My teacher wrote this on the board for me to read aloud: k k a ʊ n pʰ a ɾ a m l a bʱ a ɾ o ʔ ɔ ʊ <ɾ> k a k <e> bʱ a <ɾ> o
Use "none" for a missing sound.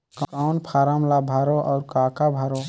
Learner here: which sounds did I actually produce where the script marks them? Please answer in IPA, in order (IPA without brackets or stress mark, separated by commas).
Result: ɾ, a, ɾ